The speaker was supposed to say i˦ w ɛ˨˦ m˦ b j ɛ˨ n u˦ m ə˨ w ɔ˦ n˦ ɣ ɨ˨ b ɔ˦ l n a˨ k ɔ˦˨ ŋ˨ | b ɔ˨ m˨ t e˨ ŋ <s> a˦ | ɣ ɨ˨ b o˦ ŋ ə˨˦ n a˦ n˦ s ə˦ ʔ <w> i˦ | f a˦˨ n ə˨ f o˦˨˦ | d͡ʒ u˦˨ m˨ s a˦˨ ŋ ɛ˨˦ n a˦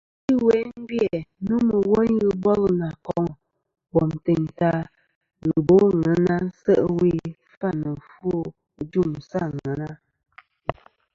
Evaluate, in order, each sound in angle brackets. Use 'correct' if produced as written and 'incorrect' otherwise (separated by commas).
incorrect, correct